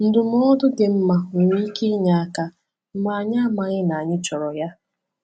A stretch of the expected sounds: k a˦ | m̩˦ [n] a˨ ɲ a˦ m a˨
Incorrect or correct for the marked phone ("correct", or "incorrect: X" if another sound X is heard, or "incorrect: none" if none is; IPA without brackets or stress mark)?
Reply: incorrect: m